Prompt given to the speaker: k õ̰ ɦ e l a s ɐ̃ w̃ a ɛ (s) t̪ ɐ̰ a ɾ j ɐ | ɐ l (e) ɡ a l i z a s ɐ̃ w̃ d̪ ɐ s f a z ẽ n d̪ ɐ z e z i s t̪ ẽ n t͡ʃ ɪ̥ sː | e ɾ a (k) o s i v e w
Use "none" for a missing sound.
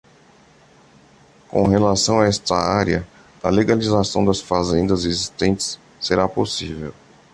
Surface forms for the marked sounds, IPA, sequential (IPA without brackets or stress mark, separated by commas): s, e, p